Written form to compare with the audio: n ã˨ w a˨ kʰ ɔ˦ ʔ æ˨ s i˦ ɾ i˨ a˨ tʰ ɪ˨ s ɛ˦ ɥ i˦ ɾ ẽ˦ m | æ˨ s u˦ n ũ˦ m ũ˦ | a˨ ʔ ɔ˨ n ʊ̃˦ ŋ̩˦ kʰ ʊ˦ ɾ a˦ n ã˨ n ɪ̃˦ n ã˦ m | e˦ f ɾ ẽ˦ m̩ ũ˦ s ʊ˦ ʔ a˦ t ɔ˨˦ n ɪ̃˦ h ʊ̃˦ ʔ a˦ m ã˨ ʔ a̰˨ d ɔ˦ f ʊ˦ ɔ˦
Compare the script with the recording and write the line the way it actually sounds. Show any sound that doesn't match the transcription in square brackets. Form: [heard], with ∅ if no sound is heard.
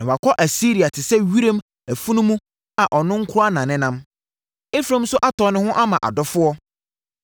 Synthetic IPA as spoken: n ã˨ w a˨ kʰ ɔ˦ ʔ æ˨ s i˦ ɾ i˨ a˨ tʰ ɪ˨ s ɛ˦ ɥ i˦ ɾ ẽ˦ m | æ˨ [f] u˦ n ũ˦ m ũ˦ | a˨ ʔ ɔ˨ n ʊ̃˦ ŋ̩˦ kʰ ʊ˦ ɾ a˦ n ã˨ n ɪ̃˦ n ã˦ m | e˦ f ɾ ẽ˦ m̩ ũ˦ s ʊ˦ ʔ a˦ t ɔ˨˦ n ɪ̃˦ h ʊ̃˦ ʔ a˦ m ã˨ ʔ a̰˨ d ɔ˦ f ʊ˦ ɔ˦